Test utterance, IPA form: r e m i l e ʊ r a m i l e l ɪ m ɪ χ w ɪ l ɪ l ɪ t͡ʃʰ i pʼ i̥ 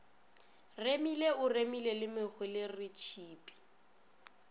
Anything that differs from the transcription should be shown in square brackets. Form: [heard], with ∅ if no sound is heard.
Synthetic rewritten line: r e m i l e ʊ r [e] m i l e l ɪ m ɪ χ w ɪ l ɪ [r] ɪ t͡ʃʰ [iː] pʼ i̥

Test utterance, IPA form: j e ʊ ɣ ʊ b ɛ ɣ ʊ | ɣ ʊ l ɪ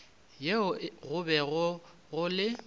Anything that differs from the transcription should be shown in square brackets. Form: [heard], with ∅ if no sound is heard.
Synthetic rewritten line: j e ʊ ɣ ʊ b ɛ ɣ ʊ | ɣ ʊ l ɪ

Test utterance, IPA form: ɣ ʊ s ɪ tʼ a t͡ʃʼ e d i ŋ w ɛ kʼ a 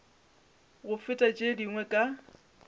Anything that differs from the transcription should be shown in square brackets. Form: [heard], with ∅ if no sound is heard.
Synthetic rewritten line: ɣ ʊ [f] ɪ tʼ a t͡ʃʼ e d i ŋ w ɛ kʼ a

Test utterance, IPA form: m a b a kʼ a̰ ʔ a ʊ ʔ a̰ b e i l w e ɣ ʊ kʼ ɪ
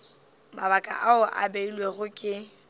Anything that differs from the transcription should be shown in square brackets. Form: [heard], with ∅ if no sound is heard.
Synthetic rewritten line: m a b a kʼ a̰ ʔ a ʊ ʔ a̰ b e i l w e ɣ ʊ kʼ ɪ

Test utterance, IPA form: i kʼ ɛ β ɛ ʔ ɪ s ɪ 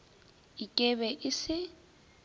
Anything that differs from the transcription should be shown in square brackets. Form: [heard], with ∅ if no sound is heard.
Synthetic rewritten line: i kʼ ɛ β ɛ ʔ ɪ s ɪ

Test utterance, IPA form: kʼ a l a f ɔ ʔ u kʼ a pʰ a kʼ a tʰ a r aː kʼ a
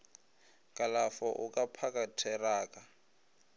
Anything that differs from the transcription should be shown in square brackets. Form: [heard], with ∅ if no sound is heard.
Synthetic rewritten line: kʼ a l a f ɔ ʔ u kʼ a pʰ a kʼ a tʰ [ɛ] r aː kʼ a

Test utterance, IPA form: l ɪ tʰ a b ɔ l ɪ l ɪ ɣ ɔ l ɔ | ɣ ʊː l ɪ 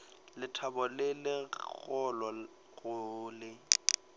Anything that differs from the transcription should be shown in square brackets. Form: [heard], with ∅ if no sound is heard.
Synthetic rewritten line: l ɪ tʰ a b ɔ l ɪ l ɪ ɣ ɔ l ɔ | ɣ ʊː l ɪ

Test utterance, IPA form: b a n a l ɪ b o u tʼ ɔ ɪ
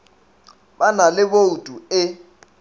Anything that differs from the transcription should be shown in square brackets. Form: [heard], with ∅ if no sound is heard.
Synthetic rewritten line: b a n a l ɪ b o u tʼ [u] ɪ

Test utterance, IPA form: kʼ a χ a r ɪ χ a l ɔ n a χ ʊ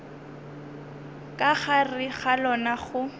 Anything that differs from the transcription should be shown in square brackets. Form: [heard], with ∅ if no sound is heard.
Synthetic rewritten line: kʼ a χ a r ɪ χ a l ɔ n a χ ʊ

